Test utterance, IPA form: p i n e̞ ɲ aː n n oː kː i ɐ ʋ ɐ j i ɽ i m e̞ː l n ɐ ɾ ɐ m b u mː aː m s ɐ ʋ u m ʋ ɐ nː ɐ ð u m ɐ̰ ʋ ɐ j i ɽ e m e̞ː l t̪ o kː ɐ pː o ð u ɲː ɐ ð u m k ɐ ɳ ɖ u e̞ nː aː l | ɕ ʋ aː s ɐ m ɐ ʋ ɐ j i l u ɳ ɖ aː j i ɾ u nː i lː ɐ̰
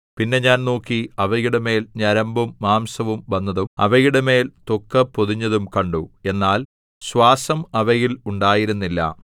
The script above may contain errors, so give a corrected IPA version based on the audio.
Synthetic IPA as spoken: p i nː e̞ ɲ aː n n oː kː i ɐ ʋ ɐ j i ɽ e m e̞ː l ɲ ɐ ɾ ɐ m b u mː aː m s ɐ ʋ u m ʋ ɐ nː ɐ ð u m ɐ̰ ʋ ɐ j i ɽ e m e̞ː l t̪ o kː ɐ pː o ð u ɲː ɐ ð u m k ɐ ɳ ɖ u e̞ nː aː l | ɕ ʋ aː s ɐ m ɐ ʋ ɐ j i l u ɳ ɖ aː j i ɾ u nː i lː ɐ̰